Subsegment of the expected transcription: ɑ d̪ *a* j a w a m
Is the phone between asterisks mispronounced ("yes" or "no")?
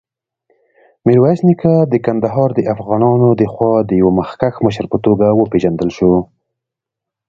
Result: yes